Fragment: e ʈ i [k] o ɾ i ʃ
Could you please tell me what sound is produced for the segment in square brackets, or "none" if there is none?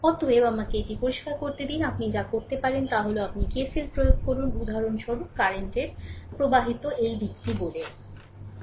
p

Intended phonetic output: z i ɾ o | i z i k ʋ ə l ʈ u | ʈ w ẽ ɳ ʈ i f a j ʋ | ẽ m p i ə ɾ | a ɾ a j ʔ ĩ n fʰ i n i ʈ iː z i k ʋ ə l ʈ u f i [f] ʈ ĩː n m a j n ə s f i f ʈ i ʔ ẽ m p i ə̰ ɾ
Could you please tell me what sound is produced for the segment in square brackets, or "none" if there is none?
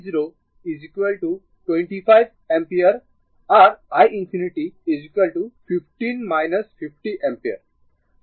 f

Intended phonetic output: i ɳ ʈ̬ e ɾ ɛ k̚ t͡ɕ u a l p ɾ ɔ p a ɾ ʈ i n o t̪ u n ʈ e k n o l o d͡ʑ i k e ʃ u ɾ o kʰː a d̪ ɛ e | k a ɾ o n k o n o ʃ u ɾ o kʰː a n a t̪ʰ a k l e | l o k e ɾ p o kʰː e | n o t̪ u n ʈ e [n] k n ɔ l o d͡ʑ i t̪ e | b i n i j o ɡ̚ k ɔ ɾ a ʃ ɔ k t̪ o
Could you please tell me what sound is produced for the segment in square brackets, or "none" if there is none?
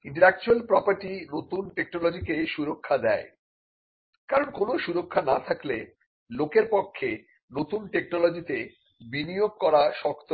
none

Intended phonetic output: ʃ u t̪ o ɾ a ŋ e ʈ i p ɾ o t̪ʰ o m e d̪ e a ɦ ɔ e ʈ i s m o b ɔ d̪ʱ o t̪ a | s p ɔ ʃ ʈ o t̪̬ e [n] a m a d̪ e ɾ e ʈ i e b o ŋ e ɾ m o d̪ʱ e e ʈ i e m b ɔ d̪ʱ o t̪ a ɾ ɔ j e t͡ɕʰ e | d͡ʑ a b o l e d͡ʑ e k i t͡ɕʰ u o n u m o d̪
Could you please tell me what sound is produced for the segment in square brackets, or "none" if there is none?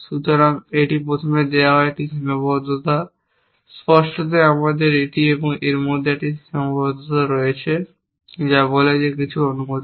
none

